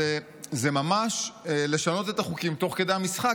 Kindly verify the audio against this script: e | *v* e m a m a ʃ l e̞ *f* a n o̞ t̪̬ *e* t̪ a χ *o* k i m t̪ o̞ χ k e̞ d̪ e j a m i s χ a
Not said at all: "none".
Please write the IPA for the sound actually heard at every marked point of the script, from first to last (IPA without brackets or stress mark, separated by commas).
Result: z, ʃ, e, u